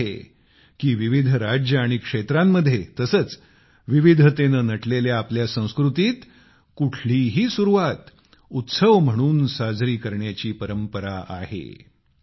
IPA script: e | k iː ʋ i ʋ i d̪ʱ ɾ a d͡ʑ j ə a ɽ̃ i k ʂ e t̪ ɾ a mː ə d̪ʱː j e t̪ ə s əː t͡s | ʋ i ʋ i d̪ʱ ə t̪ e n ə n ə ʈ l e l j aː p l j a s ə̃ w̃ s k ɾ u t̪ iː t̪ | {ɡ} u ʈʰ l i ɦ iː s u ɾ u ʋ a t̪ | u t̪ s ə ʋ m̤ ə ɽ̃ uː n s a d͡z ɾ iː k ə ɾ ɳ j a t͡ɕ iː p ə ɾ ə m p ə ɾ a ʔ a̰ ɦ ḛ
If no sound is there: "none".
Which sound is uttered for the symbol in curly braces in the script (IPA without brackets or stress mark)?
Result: k